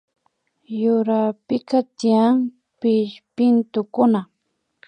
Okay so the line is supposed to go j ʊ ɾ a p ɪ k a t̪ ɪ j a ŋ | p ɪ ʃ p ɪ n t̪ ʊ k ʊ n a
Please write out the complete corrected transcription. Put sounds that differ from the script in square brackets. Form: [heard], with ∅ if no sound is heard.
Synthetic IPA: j ʊ ɾ a p ɪ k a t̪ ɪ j a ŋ | p ɪ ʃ p ɪ n t̪ ʊ k ʊ n a